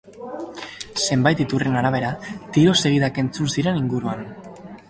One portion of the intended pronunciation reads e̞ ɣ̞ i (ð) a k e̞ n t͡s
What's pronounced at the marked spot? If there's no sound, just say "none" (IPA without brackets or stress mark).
ð